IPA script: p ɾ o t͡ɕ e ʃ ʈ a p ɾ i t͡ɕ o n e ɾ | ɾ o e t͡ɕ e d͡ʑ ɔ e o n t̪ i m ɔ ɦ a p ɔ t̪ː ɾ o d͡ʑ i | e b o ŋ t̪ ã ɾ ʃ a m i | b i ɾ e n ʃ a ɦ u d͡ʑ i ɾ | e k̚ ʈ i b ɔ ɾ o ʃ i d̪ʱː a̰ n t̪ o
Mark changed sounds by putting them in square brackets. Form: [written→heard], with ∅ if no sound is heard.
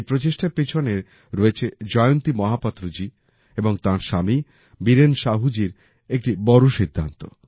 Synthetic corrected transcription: p ɾ o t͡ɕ e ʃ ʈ a p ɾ i [t͡ɕ→t͡ɕʰ] o n e ɾ | ɾ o e [t͡ɕ→t͡ɕʰ] e d͡ʑ ɔ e o n t̪ i m ɔ ɦ a p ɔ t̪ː ɾ o d͡ʑ i | e b o ŋ t̪ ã ɾ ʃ a m i | b i ɾ e n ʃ a ɦ u d͡ʑ i ɾ | e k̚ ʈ i b ɔ ɾ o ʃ i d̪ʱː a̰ n t̪ o